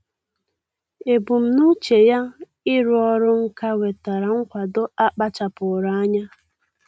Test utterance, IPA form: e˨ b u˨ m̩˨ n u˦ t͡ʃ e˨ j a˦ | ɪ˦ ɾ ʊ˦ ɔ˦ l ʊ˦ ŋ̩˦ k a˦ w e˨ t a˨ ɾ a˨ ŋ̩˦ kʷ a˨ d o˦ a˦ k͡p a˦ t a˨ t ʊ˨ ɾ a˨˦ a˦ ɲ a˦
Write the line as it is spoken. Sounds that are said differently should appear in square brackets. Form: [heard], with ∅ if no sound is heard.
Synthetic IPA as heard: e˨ b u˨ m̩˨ n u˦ t͡ʃ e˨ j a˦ | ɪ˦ ɾ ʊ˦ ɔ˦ [ɾ] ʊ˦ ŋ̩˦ k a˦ w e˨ t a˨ ɾ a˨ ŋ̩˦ kʷ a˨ d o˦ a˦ k͡p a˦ [t͡ʃ] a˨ [p] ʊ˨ ɾ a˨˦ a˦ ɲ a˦

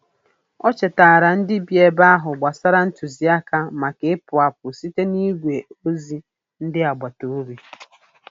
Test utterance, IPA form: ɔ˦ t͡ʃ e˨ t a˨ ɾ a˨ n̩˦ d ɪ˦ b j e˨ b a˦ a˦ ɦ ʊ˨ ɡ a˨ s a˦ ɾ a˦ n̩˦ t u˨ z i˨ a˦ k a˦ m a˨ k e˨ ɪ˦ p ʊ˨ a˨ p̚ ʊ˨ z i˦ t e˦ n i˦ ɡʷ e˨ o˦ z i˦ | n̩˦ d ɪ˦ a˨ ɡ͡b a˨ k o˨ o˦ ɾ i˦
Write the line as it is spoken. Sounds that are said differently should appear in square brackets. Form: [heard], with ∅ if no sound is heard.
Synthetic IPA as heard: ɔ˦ t͡ʃ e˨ t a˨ ɾ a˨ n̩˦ d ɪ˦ b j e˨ b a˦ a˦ ɦ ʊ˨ [ɡ͡b] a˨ s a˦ ɾ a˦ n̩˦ t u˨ z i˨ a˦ k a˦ m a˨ k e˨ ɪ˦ p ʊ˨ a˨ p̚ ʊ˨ [s] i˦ t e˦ n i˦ ɡʷ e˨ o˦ z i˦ | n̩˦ d ɪ˦ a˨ ɡ͡b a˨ [t] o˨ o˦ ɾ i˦

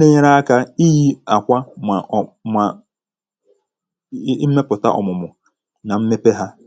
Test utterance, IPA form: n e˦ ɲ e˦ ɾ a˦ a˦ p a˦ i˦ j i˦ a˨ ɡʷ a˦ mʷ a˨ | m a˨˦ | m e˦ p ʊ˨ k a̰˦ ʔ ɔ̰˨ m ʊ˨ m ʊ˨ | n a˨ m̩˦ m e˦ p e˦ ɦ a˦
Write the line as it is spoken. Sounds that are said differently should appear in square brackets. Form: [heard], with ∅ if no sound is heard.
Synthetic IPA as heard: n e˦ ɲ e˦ ɾ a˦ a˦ [k] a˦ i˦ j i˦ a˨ [kʷ] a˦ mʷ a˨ | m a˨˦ | m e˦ p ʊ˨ [t] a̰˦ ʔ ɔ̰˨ m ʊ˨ m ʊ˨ | n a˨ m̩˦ m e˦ p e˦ ɦ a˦

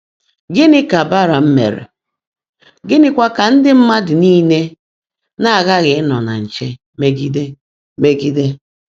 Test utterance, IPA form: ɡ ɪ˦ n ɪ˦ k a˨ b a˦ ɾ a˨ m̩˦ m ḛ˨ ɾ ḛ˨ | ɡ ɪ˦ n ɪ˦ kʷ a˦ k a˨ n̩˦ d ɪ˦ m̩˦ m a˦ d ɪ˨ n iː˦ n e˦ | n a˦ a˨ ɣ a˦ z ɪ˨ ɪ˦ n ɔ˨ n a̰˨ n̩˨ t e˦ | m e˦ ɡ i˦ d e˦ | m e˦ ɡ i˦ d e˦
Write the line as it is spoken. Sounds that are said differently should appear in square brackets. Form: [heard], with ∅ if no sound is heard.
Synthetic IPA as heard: ɡ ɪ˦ n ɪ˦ k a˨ b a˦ ɾ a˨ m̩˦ m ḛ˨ ɾ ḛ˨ | ɡ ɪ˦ n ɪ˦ kʷ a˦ k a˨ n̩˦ d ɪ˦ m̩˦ m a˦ d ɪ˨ n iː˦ n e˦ | n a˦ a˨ ɣ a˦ [ɣ] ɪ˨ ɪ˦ n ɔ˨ n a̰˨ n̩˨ [t͡ʃ] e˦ | m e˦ ɡ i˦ d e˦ | m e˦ ɡ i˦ d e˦

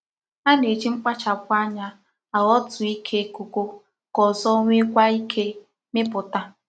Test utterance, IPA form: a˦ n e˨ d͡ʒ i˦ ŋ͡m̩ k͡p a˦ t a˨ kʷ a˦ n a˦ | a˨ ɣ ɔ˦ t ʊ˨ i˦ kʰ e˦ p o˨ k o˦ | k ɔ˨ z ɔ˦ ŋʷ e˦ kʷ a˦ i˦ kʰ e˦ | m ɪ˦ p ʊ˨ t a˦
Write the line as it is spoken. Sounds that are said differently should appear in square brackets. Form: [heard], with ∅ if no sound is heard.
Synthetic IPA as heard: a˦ n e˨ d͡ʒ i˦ ŋ͡m̩ k͡p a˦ [t͡ʃ] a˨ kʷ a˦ [ɲ] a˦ | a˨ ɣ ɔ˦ t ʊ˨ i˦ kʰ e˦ [k] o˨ k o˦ | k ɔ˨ z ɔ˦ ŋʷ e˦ kʷ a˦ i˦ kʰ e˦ | m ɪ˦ p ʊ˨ t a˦

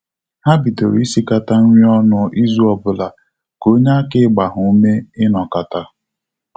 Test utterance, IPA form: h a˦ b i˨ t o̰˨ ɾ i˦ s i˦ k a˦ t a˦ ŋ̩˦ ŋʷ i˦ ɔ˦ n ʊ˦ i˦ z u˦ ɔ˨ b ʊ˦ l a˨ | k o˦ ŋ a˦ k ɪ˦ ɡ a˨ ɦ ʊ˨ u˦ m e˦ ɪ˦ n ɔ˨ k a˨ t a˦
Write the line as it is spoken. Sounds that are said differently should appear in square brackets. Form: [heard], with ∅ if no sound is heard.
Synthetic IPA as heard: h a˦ b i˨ t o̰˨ ɾ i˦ s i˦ k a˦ t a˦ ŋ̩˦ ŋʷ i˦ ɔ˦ n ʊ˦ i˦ z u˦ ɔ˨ b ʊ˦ l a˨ | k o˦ [ɲ] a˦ k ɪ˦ [ɡ͡b] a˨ ɦ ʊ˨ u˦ m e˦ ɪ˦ n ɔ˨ k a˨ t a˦

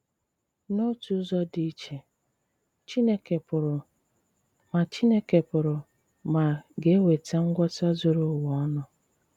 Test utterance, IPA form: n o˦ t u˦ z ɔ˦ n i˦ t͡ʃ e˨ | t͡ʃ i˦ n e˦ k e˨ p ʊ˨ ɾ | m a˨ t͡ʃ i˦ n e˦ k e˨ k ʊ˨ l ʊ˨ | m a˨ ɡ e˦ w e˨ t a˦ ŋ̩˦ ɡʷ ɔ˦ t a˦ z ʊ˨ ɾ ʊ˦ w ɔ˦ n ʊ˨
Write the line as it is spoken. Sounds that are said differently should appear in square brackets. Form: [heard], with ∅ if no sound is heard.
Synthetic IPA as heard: n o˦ t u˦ z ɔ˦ [d] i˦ t͡ʃ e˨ | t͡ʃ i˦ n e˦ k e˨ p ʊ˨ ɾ | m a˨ t͡ʃ i˦ n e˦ k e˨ [p] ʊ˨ [ɾ] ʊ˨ | m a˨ ɡ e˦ w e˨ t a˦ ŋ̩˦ ɡʷ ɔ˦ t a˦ z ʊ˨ ɾ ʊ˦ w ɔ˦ n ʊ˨

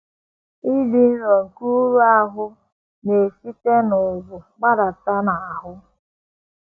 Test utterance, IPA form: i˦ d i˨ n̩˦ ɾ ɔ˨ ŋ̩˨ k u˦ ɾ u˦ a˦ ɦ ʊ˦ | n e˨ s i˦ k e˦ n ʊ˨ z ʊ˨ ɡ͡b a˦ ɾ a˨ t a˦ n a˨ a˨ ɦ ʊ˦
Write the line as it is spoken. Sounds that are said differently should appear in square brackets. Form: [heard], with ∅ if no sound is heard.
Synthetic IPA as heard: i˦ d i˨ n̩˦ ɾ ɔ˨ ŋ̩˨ k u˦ ɾ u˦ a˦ ɦ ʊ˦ | n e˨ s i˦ [t] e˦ n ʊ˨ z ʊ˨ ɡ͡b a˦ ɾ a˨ t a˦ n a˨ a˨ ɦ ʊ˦

